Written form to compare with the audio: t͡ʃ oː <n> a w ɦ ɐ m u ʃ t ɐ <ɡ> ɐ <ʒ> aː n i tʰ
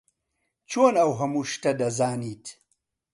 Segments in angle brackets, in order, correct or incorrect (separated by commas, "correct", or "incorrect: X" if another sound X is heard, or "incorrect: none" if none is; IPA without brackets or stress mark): correct, incorrect: d, incorrect: z